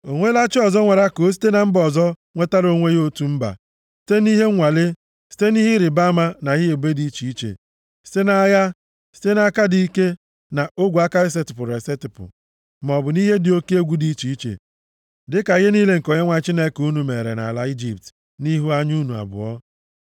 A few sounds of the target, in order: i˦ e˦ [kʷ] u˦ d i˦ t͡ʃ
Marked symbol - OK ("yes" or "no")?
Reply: no